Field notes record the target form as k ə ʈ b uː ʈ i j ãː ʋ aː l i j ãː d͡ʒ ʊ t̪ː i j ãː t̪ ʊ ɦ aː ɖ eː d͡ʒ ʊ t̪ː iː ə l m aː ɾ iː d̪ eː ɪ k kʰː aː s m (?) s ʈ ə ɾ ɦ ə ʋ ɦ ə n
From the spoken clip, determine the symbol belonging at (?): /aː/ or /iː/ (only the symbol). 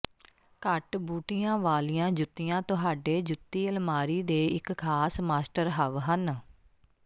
aː